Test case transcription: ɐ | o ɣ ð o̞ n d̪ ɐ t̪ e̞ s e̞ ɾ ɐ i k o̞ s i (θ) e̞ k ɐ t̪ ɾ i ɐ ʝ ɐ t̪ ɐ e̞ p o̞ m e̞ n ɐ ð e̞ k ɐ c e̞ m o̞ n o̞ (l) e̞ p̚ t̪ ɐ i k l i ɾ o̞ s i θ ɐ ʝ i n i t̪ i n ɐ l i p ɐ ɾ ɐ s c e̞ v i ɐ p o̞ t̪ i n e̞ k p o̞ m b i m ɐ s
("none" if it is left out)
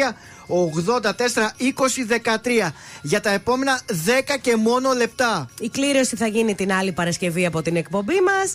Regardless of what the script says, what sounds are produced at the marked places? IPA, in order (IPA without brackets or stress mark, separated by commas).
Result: ð, l